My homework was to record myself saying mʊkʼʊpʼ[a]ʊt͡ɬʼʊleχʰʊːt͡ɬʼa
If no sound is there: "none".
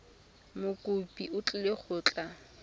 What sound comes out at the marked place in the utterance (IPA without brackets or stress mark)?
i